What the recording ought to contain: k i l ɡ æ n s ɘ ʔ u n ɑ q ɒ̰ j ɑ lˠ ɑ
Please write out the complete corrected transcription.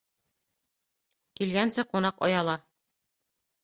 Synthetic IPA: k i l ɡ æ n s ɘ q u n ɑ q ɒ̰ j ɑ lˠ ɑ